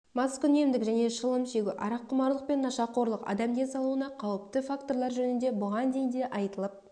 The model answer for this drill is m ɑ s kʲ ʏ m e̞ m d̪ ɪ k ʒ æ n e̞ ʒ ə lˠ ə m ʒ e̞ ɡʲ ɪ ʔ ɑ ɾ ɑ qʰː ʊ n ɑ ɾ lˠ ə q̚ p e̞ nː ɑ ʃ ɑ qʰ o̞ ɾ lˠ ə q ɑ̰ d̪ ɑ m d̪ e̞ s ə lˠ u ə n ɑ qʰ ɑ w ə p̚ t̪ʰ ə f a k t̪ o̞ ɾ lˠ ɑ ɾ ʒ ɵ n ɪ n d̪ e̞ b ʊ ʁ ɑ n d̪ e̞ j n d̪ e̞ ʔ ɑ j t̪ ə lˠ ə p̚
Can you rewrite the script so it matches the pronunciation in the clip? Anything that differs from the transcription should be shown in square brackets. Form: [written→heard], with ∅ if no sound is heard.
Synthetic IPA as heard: m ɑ s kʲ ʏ [m→n] e̞ m d̪ ɪ k ʒ æ n e̞ [ʒ→ʃ] ə lˠ ə m [ʒ→ʃ] e̞ ɡʲ ɪ ʔ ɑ ɾ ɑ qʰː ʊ [n→m] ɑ ɾ lˠ ə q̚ p e̞ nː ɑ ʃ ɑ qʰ o̞ ɾ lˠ ə q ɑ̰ d̪ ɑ m d̪ e̞ s [ə→ɑ] lˠ u ə n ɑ qʰ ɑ w ə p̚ [t̪ʰ→t̪] ə f a k t̪ o̞ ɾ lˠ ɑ ɾ ʒ ɵ n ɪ n d̪ e̞ b ʊ ʁ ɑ n d̪ e̞ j n d̪ e̞ ʔ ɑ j t̪ ə lˠ ə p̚